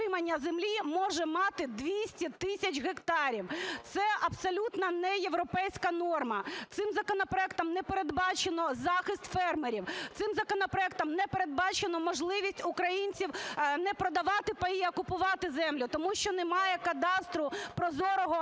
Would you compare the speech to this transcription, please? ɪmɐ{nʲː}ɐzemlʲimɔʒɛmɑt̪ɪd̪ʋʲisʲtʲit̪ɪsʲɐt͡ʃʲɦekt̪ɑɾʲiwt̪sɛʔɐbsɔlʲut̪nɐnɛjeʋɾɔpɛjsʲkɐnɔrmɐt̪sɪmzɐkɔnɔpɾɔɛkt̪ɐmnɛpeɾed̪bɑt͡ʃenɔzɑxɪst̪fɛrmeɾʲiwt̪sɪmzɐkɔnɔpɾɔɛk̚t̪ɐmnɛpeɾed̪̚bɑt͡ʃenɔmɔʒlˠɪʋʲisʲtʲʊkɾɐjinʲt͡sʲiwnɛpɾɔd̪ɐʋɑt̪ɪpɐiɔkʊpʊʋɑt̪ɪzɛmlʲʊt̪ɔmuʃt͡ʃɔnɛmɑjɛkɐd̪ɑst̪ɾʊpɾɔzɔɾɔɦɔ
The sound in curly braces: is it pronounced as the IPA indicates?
yes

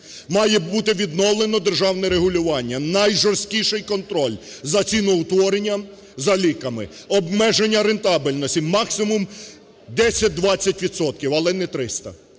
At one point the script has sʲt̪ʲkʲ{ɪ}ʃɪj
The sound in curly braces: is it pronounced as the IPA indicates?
no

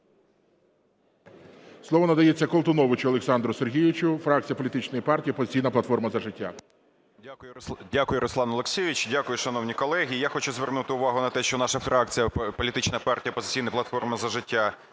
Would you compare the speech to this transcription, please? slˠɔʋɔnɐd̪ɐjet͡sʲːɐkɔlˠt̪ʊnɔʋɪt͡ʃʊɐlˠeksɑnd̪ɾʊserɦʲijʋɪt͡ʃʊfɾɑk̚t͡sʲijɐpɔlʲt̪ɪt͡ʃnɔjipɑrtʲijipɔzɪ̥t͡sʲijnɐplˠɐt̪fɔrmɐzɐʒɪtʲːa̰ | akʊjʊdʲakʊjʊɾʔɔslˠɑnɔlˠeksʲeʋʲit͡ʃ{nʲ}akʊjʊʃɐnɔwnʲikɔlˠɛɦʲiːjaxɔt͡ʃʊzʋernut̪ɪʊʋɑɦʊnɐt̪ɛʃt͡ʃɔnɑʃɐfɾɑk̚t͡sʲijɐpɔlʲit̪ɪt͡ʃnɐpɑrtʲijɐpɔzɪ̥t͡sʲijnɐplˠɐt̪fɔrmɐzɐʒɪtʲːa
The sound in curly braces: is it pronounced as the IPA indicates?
no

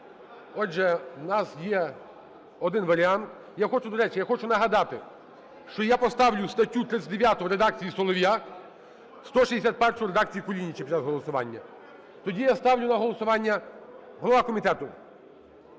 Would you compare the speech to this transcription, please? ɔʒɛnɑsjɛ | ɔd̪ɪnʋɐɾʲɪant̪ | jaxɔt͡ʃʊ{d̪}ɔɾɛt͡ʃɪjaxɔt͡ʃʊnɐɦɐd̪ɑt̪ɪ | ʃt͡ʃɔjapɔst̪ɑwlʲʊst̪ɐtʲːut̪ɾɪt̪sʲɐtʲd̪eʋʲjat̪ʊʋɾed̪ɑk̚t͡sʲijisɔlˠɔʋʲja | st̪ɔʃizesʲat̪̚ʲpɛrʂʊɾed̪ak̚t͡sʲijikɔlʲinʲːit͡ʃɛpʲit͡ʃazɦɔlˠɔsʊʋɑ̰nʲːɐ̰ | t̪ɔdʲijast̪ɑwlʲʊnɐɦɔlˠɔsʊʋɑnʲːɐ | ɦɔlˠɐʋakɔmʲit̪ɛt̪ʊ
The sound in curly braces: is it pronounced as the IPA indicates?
yes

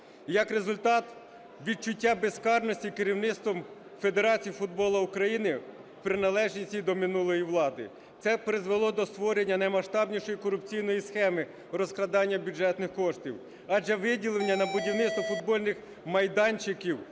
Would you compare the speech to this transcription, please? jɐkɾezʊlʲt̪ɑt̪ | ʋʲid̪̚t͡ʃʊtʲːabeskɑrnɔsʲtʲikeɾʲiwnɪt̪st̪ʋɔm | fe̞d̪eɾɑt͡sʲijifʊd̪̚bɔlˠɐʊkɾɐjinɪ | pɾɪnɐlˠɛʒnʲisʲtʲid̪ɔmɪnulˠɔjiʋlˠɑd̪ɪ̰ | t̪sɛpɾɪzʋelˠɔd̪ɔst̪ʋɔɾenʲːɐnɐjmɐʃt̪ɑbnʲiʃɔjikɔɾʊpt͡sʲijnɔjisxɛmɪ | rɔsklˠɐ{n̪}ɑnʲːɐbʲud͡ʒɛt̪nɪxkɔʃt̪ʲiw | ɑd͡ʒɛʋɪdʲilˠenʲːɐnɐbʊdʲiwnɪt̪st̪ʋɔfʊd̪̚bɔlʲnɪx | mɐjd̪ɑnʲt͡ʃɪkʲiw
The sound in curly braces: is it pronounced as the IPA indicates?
no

